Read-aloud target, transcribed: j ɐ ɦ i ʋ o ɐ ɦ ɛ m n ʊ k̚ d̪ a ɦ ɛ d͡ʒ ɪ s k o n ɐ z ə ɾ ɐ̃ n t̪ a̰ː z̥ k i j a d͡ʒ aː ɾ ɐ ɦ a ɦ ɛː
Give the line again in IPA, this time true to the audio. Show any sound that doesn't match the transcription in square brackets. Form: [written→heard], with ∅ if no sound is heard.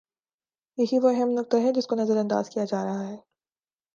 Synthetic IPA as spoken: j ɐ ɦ i ʋ o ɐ ɦ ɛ m n ʊ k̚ [d̪→t̪] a ɦ ɛ d͡ʒ ɪ s k o n ɐ z ə ɾ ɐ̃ n [t̪→d̪] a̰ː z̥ k i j a d͡ʒ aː ɾ ɐ ɦ a ɦ ɛː